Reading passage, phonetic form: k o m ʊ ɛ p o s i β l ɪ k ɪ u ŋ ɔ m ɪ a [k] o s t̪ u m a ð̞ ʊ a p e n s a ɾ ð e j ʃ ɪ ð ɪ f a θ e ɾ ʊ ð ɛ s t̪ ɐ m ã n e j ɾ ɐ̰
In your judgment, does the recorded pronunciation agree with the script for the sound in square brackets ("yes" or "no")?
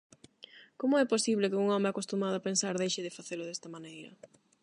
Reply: yes